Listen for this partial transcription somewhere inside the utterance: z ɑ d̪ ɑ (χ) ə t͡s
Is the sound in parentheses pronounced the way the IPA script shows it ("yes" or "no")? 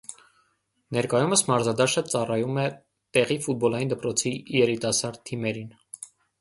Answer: no